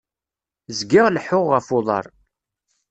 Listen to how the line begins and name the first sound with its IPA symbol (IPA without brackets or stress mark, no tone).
z